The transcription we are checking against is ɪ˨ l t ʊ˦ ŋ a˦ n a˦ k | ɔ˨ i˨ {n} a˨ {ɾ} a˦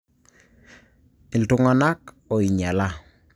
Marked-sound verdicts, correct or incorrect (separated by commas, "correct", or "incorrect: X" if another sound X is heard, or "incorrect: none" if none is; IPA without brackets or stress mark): incorrect: ɲ, incorrect: l